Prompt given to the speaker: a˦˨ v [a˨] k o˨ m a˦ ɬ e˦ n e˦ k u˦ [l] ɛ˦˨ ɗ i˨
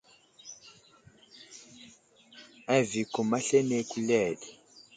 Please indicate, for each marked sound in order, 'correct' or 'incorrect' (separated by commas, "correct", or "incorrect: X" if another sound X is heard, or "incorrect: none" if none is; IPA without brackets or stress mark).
incorrect: i˨, correct